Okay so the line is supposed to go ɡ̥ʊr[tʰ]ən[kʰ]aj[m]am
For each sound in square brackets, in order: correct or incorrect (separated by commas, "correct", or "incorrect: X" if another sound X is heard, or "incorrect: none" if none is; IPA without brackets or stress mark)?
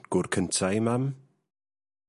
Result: incorrect: kʰ, incorrect: tʰ, correct